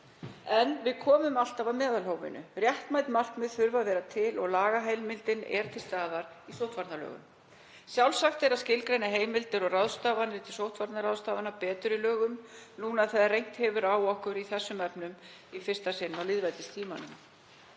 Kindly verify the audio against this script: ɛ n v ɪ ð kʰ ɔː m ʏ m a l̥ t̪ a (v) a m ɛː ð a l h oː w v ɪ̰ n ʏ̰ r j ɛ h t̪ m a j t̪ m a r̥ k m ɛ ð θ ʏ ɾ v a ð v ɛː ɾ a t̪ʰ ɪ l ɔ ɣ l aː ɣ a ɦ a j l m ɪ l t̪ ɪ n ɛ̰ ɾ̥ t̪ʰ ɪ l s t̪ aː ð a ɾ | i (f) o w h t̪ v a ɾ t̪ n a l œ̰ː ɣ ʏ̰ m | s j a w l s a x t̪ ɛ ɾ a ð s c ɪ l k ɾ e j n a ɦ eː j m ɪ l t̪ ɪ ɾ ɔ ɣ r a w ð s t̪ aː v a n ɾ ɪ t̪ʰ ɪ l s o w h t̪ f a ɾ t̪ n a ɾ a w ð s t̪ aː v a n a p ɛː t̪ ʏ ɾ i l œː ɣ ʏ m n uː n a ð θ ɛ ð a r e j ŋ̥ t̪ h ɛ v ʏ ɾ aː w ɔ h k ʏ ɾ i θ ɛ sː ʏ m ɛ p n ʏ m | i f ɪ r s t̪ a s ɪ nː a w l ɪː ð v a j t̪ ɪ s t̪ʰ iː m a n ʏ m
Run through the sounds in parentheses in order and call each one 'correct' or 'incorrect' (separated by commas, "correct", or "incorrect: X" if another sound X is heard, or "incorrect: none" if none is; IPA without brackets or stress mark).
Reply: correct, incorrect: s